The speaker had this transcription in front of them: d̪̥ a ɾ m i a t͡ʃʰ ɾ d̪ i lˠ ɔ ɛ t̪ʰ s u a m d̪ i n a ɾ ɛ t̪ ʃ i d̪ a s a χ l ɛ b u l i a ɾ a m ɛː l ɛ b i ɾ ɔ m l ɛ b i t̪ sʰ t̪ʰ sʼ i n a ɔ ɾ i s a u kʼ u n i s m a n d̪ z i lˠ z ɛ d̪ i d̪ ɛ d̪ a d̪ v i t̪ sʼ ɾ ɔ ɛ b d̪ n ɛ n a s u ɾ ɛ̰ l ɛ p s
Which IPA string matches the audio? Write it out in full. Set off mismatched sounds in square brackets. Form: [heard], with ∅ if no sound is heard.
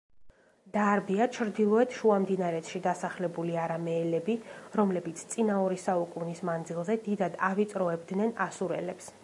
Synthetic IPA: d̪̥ a ɾ [b] i a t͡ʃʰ ɾ d̪ i lˠ ɔ ɛ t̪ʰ [ʃ] u a m d̪ i n a ɾ ɛ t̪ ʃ i d̪ a s a χ l ɛ b u l i a ɾ a m ɛː l ɛ b i ɾ ɔ m l ɛ b i t̪ sʰ [t̪] sʼ i n a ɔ ɾ i s a u kʼ u n i s m a n d̪ z i lˠ z ɛ d̪ i d̪ [a] d̪ a [∅] v i t̪ sʼ ɾ ɔ ɛ b d̪ n ɛ n a s u ɾ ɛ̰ l ɛ p s